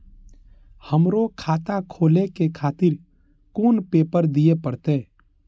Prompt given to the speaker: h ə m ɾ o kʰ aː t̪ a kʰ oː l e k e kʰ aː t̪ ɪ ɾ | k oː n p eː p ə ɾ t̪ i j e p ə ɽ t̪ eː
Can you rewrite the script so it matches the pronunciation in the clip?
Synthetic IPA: h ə m ɾ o kʰ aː t̪ a kʰ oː l e k e kʰ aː t̪ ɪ ɾ | k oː n p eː p ə ɾ d̪ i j e p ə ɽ t̪ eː